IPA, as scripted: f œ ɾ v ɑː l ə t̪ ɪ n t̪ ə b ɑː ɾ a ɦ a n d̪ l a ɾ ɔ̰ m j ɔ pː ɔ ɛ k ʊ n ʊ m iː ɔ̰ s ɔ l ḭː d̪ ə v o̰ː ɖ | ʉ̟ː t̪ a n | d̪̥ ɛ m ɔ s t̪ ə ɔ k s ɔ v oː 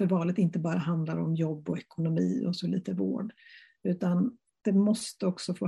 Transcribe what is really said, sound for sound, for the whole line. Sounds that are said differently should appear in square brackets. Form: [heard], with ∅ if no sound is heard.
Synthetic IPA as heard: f œ ɾ v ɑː l ə t̪ ɪ n t̪ ə b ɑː ɾ a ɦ a n d̪ l a ɾ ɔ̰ m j ɔ [bː] ɔ ɛ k ʊ n ʊ m iː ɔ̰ s ɔ l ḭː [t̪] ə v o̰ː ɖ | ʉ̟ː t̪ a n | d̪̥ ɛ m ɔ s t̪ ə ɔ k s ɔ [f] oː